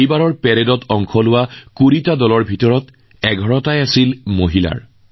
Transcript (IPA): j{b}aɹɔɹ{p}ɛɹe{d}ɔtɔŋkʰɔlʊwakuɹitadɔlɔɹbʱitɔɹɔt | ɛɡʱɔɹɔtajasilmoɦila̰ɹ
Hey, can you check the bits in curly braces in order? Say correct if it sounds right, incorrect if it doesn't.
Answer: correct, correct, correct

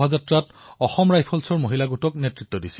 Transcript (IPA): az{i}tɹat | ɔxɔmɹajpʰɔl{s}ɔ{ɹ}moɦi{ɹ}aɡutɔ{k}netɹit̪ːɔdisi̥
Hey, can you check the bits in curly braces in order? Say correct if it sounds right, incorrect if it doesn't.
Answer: incorrect: a, correct, correct, incorrect: l, correct

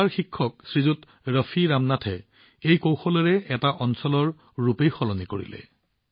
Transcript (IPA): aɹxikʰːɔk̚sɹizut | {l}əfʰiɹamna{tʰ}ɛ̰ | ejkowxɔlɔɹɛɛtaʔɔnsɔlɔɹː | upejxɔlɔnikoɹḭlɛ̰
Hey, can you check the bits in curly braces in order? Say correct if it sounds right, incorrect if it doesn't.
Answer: incorrect: ɹ, correct

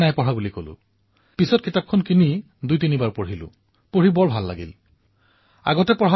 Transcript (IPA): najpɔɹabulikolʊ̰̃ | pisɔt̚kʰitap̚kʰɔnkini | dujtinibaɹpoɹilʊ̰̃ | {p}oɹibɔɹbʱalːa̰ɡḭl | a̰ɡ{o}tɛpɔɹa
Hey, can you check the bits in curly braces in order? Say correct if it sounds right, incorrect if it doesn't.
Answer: correct, incorrect: ɔ

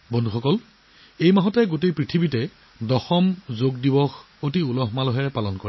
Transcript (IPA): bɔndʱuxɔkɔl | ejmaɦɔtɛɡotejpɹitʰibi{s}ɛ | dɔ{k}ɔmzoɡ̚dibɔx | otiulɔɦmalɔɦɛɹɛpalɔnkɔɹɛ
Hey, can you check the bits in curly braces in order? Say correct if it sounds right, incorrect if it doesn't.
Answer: incorrect: t, incorrect: x

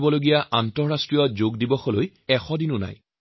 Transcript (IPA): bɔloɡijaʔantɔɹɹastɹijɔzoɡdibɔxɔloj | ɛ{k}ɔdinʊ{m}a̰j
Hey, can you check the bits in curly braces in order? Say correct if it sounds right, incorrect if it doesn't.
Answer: incorrect: x, incorrect: n

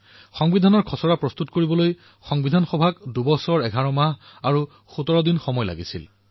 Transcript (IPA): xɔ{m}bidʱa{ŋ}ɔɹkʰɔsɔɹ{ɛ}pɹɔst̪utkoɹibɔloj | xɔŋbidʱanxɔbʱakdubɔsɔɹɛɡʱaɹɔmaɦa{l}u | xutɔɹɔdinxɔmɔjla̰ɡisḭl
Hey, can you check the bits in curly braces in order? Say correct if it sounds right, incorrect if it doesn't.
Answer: incorrect: ŋ, incorrect: n, incorrect: a, incorrect: ɹ

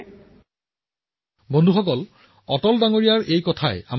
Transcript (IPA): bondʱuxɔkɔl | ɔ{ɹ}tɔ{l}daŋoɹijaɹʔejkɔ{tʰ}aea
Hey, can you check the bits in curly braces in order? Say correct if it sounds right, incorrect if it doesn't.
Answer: incorrect: none, correct, correct

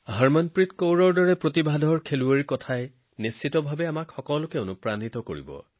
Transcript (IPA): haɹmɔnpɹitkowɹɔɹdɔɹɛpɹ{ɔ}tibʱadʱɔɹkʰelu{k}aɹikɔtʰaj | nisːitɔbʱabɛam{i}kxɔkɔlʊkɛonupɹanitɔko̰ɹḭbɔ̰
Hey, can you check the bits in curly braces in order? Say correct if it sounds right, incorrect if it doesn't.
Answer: incorrect: o, incorrect: none, incorrect: a

